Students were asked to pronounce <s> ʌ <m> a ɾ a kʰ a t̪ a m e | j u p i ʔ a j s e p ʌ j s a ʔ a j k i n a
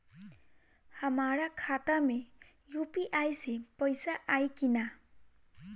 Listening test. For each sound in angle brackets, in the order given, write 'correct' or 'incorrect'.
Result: incorrect: h, correct

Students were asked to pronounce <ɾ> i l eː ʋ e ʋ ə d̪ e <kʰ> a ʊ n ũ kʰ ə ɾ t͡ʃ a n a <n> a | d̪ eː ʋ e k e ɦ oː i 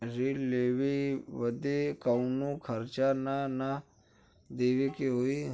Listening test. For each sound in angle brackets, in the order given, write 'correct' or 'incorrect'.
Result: correct, incorrect: k, correct

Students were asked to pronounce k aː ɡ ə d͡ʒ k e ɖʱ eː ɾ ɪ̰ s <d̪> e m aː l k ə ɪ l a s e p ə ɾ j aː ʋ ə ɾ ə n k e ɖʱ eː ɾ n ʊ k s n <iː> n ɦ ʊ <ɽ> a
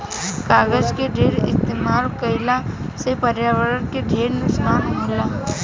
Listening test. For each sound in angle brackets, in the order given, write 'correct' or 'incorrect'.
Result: incorrect: t̪, incorrect: aː, incorrect: l

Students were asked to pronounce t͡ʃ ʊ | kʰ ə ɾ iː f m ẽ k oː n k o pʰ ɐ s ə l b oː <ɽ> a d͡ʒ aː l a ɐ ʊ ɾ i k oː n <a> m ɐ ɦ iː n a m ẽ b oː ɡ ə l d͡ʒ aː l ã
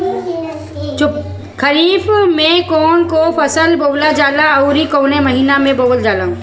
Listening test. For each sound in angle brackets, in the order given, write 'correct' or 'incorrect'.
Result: incorrect: l, incorrect: e

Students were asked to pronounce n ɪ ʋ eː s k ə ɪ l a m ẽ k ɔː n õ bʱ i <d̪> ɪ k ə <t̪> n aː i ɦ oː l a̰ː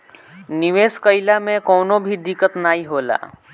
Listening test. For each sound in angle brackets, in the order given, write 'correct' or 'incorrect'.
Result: correct, correct

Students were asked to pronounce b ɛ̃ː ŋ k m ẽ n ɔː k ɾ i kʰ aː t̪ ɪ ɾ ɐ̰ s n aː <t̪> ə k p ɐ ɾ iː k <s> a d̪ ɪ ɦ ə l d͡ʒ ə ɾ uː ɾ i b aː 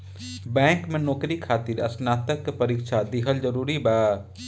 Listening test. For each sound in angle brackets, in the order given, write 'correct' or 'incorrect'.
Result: correct, incorrect: ʃ

